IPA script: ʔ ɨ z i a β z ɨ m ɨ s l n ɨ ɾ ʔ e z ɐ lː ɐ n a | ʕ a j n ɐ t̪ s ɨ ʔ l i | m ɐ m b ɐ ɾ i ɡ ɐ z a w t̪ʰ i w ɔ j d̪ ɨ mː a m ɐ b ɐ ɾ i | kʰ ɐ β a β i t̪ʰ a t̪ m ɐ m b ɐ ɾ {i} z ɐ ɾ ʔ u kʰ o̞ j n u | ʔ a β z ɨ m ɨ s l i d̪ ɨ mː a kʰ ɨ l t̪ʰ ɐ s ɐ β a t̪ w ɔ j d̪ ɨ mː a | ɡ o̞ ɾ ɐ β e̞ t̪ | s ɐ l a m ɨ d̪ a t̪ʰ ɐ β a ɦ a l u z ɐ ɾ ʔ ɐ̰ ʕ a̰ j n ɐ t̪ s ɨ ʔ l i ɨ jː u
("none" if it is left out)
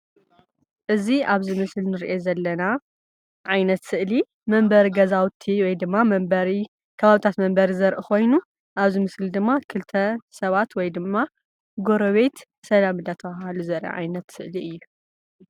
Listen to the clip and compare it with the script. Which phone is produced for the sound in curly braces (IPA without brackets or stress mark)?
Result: i